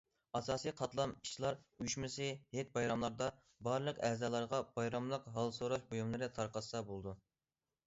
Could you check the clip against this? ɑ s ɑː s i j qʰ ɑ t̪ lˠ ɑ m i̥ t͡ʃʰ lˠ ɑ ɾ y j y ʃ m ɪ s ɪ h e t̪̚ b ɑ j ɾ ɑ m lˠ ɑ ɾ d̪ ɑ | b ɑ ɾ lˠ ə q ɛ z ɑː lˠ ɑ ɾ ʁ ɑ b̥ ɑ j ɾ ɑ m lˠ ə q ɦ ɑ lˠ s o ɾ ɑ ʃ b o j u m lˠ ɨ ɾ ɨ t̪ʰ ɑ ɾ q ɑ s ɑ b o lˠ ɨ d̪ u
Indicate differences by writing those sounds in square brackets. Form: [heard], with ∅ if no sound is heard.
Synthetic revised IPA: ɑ s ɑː s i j qʰ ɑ t̪ lˠ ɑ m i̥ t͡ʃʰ lˠ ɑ ɾ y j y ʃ m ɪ s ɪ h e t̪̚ b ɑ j ɾ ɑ m lˠ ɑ ɾ d̪ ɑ | b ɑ ɾ lˠ ə q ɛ z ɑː lˠ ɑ ɾ ʁ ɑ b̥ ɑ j ɾ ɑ m lˠ ə q ɦ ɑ lˠ s o ɾ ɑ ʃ b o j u m lˠ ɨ ɾ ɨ t̪ʰ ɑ ɾ q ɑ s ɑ b o lˠ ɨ d̪ u